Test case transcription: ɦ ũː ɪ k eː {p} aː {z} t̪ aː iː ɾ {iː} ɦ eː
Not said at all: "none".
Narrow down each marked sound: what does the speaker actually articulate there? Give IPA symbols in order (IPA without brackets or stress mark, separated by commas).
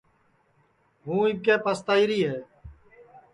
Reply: p, s, iː